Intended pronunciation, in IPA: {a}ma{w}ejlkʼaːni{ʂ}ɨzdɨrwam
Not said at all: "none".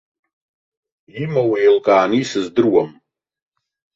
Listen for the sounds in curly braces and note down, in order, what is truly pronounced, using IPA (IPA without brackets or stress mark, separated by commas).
i, w, s